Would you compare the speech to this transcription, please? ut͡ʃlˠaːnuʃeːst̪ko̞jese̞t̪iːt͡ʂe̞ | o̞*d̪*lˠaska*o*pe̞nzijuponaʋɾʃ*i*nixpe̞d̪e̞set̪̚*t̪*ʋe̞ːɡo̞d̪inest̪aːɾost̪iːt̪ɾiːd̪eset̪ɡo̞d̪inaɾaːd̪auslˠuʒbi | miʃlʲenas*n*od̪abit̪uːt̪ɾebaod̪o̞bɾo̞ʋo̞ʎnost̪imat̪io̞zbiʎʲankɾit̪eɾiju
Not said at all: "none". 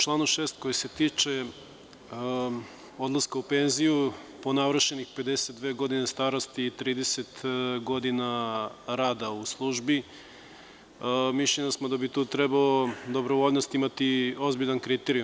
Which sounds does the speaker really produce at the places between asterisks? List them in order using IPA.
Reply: d̪, u, e, d̪, m

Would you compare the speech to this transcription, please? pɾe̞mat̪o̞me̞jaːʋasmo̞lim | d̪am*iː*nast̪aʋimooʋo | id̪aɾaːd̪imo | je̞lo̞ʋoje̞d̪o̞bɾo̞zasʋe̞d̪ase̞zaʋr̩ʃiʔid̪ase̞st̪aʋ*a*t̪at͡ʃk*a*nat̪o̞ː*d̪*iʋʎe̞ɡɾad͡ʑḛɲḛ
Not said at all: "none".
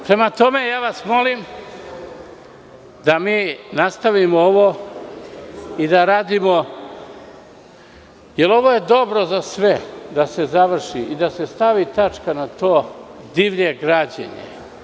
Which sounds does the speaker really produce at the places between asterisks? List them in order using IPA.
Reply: iː, i, a, d̪

